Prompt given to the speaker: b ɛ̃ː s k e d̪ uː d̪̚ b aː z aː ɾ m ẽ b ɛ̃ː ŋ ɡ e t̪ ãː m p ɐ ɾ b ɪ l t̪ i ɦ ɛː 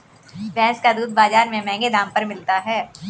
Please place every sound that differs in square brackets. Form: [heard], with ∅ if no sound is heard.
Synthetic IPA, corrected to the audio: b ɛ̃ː s k [a] d̪ uː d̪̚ b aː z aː ɾ m ẽ [m] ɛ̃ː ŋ ɡ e [d̪] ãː m p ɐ ɾ [m] ɪ l t̪ [a] ɦ ɛː